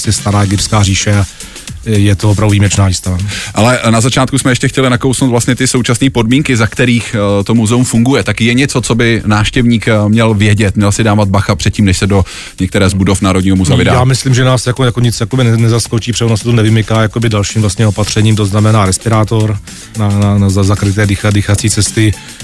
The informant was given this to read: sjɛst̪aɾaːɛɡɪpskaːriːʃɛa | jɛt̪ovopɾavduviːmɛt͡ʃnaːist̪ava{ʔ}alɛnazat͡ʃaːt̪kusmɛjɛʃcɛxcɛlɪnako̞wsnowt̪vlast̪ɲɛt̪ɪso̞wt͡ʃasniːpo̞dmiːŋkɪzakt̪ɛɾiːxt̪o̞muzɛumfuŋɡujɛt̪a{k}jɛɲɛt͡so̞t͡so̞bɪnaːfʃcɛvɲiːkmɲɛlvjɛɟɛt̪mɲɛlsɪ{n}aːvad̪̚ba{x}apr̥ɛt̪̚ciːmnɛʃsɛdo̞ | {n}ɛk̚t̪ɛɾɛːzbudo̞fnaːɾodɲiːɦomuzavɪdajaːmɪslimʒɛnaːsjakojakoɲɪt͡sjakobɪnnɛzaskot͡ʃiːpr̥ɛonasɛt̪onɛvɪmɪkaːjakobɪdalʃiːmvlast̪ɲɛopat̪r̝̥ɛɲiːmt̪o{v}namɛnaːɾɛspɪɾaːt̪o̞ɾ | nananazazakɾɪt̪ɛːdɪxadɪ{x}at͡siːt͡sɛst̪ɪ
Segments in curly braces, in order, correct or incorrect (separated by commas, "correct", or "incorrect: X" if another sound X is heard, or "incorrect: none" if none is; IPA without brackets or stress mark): correct, correct, incorrect: d, correct, incorrect: ɲ, incorrect: z, correct